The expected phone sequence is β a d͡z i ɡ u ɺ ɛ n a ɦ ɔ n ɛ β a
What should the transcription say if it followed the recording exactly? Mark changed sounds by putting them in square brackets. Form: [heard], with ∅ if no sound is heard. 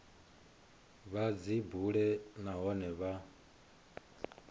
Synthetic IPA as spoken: β a d͡z i [b] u ɺ ɛ n a ɦ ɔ n ɛ β a

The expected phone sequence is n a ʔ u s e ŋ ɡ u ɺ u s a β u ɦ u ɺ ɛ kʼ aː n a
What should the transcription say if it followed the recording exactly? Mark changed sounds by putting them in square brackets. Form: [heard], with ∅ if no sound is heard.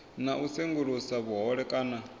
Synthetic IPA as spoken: n a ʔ u s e ŋ ɡ u ɺ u s a β u ɦ [ɔ] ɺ ɛ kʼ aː n a

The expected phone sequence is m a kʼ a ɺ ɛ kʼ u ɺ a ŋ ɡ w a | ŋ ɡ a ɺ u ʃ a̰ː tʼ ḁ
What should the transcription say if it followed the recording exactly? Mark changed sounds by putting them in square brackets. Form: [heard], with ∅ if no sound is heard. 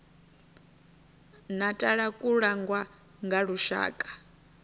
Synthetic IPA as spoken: [n] a [tʼ] a ɺ [a] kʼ u ɺ a ŋ ɡ w a | ŋ ɡ a ɺ u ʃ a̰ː [kʼ] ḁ

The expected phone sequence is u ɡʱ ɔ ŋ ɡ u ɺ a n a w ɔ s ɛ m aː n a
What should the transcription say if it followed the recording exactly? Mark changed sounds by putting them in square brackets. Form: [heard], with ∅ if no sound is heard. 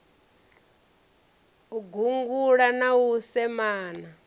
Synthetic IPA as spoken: u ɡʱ [u] ŋ ɡ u ɺ a n a w [u] s ɛ m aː n a

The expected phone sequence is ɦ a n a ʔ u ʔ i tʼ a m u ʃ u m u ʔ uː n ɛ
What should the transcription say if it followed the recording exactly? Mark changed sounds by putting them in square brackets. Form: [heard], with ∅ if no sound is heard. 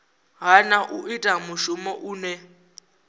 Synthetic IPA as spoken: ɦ a n a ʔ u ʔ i tʼ a m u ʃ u m [ɔ] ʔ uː n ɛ

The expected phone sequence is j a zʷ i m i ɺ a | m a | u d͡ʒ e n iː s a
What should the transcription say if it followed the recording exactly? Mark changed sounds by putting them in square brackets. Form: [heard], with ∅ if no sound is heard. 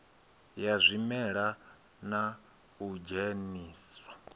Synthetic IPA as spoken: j a zʷ i m [ɛ] ɺ a | [n] a | u d͡ʒ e n iː s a

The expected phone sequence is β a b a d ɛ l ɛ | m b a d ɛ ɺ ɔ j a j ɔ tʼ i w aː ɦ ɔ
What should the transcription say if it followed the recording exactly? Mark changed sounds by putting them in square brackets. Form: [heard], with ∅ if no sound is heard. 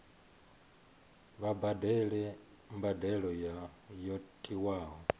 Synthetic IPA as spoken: β a b a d ɛ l ɛ | m b a d ɛ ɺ ɔ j a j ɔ tʼ i w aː ɦ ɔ

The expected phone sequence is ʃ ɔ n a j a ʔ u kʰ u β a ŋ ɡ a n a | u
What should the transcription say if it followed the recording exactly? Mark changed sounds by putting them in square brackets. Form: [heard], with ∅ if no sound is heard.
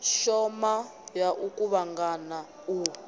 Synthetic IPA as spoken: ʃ ɔ [m] a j a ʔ u [k] u β a ŋ ɡ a n a | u

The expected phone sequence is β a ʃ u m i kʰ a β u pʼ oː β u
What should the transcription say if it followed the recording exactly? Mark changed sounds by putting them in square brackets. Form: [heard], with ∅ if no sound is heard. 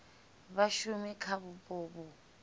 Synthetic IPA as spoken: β a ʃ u m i kʰ a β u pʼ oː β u

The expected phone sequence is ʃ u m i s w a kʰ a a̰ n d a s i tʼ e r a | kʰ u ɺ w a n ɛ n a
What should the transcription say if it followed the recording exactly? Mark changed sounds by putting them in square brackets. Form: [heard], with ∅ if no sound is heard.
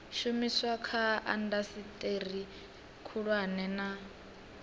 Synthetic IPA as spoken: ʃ u m i s w a kʰ a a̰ n d a s i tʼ e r [i] | kʰ u ɺ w a n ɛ n a

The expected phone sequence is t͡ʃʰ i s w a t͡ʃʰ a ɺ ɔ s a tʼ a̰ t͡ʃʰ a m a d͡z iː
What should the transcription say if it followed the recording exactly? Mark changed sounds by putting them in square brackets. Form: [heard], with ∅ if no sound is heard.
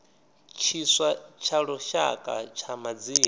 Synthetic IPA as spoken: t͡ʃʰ i s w a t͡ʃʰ a ɺ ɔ [ʃ] a [kʼ] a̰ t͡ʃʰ a m a d͡z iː

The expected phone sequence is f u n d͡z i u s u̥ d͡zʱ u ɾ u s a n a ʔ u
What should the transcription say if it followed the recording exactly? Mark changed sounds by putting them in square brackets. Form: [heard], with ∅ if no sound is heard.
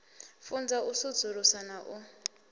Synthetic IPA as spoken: f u n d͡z [a] u s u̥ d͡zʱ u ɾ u s a n a ʔ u

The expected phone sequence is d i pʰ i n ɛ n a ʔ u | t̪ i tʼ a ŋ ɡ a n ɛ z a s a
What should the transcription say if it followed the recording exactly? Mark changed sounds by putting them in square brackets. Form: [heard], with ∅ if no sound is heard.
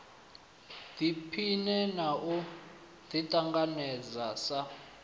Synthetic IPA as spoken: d i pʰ i n ɛ n a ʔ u | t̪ i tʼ a ŋ ɡ a n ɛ z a s a

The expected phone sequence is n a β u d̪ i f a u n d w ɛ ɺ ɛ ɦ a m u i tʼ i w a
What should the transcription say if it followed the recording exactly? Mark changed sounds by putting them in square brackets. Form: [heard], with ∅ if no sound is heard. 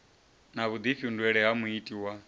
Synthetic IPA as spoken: n a β u d̪ i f [i] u n d w ɛ ɺ ɛ ɦ a m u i tʼ i w a

